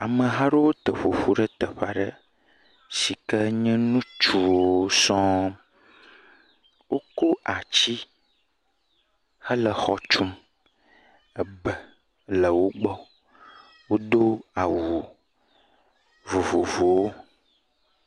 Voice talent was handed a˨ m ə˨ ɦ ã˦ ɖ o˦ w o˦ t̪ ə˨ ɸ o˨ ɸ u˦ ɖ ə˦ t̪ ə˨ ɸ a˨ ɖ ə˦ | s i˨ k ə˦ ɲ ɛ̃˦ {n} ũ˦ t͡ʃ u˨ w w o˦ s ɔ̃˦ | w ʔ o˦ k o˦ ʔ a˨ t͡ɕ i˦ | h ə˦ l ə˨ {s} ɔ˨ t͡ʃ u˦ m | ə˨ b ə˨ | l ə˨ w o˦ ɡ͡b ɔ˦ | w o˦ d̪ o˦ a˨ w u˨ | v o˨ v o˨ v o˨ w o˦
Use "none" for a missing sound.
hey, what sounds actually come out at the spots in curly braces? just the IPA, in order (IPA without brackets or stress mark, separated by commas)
n, x